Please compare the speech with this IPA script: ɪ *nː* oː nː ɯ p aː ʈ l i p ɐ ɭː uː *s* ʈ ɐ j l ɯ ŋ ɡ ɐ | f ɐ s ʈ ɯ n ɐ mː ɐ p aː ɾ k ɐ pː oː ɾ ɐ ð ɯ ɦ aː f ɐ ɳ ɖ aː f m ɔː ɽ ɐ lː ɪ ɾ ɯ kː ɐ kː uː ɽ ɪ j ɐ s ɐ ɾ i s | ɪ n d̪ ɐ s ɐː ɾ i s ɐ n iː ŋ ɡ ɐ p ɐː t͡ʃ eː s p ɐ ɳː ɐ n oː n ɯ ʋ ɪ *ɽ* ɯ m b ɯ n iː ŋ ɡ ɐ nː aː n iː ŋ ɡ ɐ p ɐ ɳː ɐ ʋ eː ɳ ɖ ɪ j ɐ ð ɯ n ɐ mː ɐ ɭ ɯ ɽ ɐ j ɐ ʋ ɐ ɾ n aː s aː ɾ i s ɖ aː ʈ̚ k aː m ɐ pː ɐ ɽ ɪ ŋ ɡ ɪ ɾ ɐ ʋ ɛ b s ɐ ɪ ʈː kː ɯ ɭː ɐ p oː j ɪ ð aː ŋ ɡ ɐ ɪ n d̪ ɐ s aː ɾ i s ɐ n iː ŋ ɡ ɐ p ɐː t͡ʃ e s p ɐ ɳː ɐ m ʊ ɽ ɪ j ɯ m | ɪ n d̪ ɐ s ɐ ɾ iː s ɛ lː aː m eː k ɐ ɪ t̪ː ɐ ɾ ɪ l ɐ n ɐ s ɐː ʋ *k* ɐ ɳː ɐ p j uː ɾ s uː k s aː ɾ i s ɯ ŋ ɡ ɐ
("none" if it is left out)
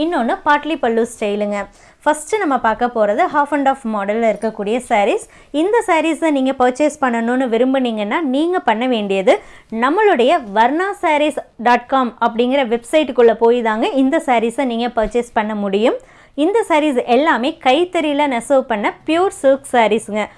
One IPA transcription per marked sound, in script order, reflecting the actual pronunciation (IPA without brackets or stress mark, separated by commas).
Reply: nː, s, ɾ, p